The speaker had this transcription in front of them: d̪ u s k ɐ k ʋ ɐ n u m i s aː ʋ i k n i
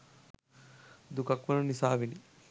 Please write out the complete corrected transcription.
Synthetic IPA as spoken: d̪ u k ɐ k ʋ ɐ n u n i s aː ʋ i n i